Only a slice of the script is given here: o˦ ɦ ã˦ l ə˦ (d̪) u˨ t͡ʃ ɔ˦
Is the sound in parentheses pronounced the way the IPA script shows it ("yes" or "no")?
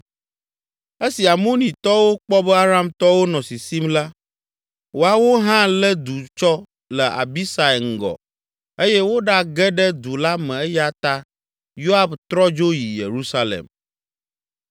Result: yes